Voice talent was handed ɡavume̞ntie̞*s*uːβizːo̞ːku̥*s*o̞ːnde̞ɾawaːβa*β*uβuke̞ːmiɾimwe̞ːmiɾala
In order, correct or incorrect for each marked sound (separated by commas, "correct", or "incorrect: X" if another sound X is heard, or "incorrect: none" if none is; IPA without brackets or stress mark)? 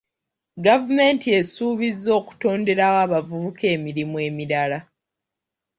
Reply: correct, incorrect: t, incorrect: v